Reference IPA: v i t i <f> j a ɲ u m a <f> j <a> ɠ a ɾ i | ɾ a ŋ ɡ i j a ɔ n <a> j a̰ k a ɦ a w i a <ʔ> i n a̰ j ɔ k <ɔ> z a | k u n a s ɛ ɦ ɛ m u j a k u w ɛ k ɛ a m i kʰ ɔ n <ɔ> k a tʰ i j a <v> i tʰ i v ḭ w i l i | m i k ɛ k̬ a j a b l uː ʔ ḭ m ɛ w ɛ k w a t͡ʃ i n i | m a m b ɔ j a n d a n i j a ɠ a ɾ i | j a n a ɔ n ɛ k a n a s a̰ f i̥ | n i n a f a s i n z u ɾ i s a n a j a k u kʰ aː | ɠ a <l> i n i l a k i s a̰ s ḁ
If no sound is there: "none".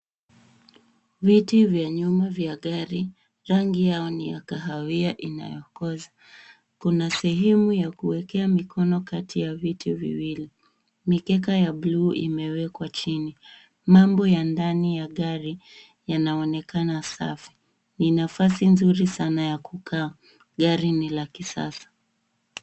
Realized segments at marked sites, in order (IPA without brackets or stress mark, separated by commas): v, v, a, i, ʔ, ɔ, ɔ, v, ɾ